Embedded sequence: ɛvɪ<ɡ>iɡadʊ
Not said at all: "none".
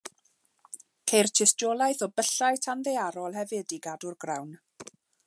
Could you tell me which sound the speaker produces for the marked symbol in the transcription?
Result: d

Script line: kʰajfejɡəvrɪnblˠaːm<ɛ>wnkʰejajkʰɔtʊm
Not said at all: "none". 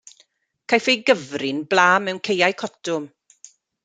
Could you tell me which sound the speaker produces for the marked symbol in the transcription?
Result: ɛ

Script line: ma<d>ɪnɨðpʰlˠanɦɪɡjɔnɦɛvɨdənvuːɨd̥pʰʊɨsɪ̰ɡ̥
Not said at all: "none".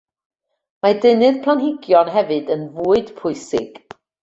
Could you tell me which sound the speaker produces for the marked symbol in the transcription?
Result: d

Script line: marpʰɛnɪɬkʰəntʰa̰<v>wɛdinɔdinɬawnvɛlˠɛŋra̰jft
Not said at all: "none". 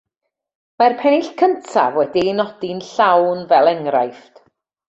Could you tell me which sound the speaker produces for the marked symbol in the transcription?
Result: v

